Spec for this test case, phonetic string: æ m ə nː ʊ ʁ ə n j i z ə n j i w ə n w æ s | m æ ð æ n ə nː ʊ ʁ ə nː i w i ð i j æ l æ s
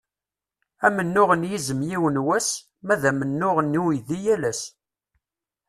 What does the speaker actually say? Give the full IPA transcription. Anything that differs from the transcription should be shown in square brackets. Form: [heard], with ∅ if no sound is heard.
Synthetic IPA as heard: æ m ə nː ʊ ʁ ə n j i z ə [m] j i w ə n w æ s | m æ ð æ [m] ə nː ʊ ʁ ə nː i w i ð i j æ l æ s